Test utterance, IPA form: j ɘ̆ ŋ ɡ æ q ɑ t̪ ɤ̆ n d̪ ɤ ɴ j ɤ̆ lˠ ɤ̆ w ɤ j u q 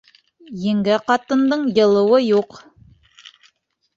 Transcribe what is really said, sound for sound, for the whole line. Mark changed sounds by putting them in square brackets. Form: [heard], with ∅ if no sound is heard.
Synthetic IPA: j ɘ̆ ŋ ɡ æ q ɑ t̪ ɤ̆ n d̪ ɤ ɴ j ɤ̆ lˠ ɤ̆ w ɤ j u q